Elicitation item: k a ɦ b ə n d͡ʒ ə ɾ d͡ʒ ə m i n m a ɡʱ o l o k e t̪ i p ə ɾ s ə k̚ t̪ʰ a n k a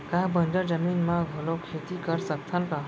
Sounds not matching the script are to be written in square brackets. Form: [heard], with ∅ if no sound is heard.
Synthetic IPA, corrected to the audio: k a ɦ b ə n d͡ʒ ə ɾ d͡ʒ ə m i n m a ɡʱ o l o [kʰ] e t̪ i [k] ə ɾ s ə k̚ t̪ʰ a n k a